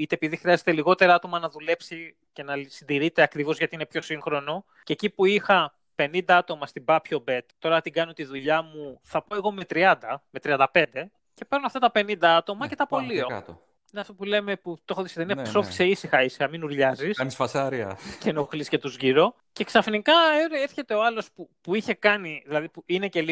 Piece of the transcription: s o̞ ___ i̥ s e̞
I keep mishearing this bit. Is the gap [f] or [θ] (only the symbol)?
f